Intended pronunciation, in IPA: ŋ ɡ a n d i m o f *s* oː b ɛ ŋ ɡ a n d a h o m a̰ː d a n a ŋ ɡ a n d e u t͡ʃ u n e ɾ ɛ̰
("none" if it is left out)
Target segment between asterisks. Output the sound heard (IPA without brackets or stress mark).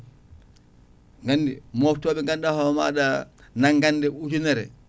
t